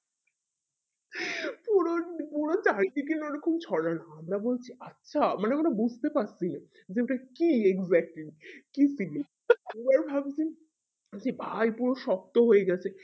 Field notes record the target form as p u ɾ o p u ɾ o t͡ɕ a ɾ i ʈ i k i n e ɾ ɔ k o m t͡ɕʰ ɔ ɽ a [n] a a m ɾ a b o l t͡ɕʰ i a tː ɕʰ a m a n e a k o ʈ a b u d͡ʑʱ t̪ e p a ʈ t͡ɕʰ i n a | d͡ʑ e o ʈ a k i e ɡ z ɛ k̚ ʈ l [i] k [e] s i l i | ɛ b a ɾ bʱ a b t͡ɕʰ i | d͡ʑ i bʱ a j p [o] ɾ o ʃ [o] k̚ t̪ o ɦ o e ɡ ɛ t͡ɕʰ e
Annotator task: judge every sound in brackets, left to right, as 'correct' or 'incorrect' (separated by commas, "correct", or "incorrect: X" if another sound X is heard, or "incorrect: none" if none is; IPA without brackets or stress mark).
correct, correct, incorrect: i, incorrect: u, incorrect: ɔ